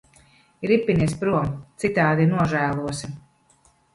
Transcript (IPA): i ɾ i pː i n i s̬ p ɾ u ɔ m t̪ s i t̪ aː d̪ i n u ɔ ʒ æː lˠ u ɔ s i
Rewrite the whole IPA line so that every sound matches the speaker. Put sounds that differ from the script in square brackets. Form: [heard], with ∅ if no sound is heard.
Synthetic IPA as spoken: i ɾ i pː i n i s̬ p ɾ u ɔ m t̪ s i t̪ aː d̪ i n u ɔ ʒ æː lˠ u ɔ s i